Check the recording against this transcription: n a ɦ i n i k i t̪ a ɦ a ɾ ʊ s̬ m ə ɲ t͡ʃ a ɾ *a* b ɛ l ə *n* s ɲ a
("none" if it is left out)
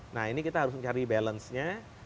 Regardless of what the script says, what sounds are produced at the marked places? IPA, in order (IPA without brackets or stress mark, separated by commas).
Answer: i, n